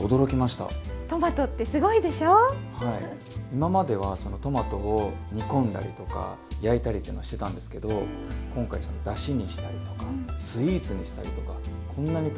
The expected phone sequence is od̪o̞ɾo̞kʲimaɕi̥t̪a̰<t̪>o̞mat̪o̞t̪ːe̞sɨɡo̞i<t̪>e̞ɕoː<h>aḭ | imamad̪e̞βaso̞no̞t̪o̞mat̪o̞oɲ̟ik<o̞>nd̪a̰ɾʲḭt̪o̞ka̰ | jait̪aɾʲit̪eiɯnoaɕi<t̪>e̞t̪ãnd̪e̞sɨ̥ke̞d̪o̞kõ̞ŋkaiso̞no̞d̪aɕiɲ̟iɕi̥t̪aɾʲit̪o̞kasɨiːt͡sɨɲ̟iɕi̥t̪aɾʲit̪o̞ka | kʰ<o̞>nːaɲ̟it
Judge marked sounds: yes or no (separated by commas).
yes, no, yes, no, yes, no